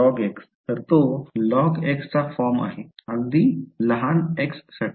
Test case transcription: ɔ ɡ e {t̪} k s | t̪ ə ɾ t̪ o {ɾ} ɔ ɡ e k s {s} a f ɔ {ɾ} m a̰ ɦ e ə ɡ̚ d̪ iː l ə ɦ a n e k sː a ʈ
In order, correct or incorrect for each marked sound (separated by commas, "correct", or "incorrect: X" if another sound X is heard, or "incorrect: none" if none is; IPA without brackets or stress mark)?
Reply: incorrect: none, incorrect: l, incorrect: t͡s, correct